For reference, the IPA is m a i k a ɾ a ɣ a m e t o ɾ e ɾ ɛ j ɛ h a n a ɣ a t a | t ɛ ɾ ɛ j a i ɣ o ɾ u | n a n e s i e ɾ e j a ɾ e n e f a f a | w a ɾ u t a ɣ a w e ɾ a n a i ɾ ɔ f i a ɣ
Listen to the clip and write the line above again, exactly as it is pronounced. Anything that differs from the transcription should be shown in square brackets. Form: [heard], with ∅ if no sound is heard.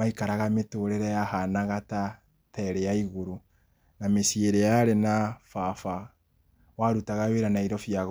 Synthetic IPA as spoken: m a i k a ɾ a ɣ a m e t o ɾ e ɾ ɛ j [a] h a n a ɣ a t a | t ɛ ɾ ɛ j a i ɣ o ɾ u | n a [m] e s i e ɾ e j a ɾ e n [a] f a f a | w a ɾ u t a ɣ a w e ɾ a n a i ɾ ɔ f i a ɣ